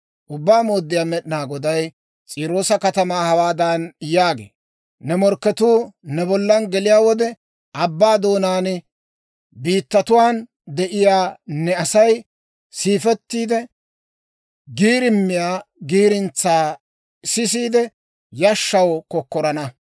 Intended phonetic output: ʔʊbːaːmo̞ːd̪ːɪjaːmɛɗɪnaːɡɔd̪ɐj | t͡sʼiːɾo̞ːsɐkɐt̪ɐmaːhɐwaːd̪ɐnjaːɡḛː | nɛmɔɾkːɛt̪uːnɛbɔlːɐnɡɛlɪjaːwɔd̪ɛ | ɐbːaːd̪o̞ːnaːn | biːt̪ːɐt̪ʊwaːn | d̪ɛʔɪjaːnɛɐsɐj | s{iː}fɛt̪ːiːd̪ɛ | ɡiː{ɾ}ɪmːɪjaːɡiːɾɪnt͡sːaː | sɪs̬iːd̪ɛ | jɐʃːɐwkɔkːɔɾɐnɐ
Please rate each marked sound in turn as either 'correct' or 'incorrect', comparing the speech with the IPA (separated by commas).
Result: correct, correct